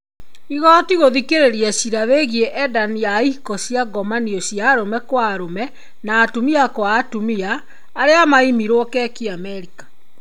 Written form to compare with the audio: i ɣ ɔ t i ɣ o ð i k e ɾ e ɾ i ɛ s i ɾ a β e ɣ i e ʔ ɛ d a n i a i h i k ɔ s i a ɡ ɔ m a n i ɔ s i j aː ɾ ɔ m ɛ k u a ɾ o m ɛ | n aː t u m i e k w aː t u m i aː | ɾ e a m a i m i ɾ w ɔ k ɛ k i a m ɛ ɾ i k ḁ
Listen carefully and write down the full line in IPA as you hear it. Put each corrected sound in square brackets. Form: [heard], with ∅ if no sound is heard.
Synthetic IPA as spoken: i ɣ ɔ t i ɣ o ð i k e ɾ e ɾ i ɛ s i ɾ a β e ɣ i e ʔ ɛ d a n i a i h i k ɔ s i a ɡ ɔ m a n i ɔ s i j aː ɾ [o] m ɛ k [w] a ɾ o m ɛ | n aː t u m i [a] k w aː t u m i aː | ɾ e a m a i m i ɾ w ɔ k ɛ k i a m ɛ ɾ i k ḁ